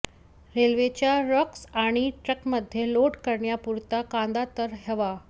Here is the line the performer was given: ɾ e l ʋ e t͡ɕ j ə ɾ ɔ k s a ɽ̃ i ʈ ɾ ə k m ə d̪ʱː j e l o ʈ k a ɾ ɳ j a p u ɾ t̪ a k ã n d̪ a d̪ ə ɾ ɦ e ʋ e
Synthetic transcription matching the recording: ɾ e l ʋ e t͡ɕ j a ɾ ɔ k s a ɽ̃ i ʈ ɾ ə k m ə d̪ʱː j e l o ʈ k ə ɾ ɳ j a p u ɾ t̪ a k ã n d̪ a t̪ ə ɾ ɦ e ʋ a